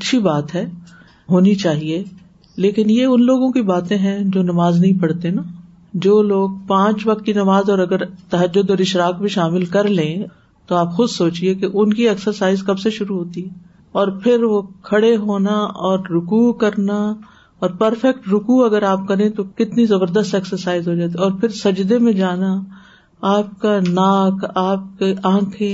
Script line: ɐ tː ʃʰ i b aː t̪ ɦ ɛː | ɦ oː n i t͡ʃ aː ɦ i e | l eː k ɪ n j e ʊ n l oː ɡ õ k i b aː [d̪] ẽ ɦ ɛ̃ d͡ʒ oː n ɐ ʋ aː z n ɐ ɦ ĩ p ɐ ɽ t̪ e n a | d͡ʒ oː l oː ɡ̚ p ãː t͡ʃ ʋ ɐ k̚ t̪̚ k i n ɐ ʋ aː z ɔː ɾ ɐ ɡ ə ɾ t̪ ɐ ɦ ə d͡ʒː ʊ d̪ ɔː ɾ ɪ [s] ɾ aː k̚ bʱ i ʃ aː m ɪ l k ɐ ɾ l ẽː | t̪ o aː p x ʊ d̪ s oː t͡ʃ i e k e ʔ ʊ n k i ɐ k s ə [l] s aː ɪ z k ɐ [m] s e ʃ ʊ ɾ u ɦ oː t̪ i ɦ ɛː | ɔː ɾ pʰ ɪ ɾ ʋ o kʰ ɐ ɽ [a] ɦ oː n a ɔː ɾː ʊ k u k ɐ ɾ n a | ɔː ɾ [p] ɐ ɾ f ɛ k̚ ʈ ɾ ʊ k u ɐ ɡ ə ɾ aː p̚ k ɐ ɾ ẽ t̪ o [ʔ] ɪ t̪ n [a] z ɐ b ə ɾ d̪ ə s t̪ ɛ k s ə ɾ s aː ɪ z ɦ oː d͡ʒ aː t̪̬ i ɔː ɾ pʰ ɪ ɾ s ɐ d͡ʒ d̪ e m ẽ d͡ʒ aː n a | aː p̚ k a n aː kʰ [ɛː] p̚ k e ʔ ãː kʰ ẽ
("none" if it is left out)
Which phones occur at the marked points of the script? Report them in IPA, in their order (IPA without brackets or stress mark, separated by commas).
t̪, ʃ, ɾ, b, e, p, k, i, aː